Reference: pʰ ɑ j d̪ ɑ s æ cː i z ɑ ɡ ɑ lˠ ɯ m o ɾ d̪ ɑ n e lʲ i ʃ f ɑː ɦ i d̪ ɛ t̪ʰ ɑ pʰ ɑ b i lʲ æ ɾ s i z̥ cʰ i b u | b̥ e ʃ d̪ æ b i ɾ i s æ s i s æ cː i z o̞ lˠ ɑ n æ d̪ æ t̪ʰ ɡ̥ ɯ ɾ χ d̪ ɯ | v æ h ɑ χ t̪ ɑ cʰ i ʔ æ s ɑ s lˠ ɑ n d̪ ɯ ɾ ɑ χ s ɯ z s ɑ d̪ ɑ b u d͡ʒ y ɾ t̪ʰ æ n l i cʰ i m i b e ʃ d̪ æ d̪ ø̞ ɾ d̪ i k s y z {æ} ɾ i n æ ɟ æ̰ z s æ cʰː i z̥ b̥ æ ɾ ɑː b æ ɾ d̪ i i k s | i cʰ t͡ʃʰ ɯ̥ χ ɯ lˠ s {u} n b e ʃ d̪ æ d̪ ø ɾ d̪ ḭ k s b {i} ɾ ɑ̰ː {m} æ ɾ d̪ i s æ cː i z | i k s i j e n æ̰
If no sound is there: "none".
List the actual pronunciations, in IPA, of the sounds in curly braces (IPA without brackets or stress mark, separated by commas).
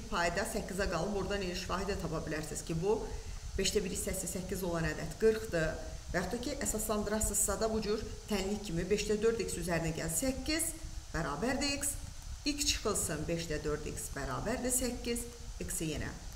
æ, ɯ, æ, b